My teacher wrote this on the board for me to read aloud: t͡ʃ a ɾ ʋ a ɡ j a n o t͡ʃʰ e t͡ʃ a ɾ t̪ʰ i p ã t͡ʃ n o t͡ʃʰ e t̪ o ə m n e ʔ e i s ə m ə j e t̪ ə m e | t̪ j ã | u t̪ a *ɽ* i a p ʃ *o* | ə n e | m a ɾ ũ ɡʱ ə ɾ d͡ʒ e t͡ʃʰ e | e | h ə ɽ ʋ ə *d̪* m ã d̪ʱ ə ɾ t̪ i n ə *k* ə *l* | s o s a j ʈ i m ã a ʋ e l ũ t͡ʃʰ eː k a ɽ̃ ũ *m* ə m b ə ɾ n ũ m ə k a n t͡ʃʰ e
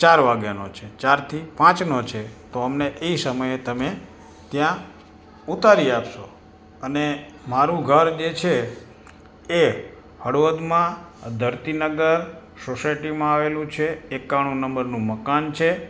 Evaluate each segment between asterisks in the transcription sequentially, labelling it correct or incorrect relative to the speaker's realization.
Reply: incorrect, correct, correct, incorrect, incorrect, incorrect

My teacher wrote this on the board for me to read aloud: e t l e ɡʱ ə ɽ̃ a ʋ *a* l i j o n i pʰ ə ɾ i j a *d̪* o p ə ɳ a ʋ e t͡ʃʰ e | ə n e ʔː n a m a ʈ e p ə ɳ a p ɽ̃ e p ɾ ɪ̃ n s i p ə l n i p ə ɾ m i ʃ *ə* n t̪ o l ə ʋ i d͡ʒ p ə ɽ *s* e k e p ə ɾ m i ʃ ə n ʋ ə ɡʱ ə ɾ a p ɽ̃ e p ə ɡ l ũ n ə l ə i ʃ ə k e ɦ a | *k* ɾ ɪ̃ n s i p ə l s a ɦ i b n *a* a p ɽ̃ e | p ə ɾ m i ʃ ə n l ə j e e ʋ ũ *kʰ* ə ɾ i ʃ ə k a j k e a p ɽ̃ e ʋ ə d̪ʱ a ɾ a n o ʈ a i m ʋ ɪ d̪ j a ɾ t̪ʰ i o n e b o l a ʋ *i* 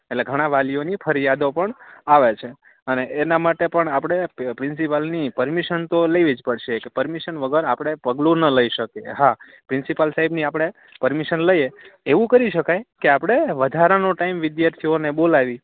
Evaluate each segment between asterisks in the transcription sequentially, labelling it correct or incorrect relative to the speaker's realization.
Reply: correct, correct, correct, incorrect, incorrect, incorrect, incorrect, correct

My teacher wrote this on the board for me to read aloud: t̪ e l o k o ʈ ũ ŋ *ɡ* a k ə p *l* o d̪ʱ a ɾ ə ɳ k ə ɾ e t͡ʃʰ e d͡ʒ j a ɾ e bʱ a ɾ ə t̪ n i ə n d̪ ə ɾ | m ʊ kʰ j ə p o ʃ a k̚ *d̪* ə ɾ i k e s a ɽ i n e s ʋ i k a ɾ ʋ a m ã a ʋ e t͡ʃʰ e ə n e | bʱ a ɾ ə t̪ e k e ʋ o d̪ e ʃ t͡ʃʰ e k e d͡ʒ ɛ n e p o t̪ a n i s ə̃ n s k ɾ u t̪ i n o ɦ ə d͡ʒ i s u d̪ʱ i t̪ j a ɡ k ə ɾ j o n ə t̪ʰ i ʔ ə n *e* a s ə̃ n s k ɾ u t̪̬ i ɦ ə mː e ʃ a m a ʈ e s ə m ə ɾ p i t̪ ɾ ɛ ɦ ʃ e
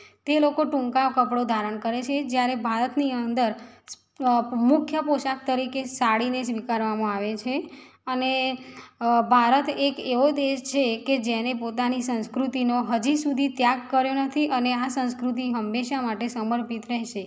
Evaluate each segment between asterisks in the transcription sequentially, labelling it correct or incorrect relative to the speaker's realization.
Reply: incorrect, incorrect, incorrect, correct

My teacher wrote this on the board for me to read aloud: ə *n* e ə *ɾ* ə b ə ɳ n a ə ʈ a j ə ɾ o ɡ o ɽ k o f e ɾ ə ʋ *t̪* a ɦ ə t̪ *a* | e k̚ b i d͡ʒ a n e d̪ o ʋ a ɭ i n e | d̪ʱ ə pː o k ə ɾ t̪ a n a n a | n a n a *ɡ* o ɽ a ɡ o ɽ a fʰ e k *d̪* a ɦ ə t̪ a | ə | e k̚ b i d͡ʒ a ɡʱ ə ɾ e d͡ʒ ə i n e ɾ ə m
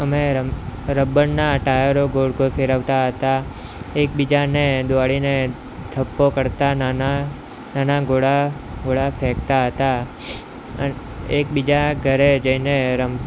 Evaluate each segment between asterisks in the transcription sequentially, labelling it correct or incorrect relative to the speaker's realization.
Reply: incorrect, correct, correct, correct, correct, incorrect

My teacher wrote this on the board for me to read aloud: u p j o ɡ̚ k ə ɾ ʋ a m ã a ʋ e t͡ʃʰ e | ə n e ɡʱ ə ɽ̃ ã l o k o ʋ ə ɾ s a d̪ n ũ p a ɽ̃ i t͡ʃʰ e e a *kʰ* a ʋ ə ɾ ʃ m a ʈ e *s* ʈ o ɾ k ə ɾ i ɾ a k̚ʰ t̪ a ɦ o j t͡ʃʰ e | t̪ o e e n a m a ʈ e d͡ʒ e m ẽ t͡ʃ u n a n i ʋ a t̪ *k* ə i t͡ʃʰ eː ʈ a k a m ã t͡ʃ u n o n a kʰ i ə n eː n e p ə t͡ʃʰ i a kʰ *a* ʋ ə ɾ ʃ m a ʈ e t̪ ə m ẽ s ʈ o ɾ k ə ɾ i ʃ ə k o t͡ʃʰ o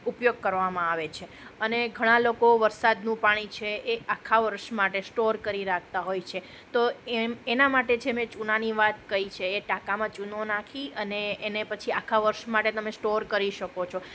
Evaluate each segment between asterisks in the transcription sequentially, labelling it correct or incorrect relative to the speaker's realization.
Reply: correct, correct, correct, correct

